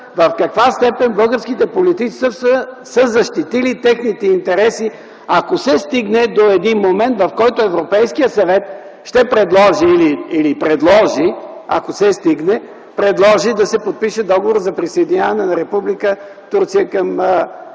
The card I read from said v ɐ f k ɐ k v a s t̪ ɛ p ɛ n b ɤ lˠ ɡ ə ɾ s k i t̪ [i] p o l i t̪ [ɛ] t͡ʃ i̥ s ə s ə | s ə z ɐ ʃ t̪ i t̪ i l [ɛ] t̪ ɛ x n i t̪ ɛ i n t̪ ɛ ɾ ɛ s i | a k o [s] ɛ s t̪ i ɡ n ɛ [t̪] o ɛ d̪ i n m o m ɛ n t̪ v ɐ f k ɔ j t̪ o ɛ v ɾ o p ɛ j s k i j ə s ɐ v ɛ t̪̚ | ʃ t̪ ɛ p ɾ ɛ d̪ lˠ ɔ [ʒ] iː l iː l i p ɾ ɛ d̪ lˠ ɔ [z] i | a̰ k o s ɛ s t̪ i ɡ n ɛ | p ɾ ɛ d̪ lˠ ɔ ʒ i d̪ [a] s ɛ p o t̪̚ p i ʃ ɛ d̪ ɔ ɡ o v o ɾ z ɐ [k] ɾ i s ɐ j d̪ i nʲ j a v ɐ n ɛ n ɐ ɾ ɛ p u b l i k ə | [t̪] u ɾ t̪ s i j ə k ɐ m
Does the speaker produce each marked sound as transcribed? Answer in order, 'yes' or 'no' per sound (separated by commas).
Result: no, no, no, yes, no, yes, no, no, no, yes